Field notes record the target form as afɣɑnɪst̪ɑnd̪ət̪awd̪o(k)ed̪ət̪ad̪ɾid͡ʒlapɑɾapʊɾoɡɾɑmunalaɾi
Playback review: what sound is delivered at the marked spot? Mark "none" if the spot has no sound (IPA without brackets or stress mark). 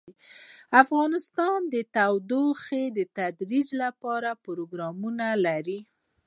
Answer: x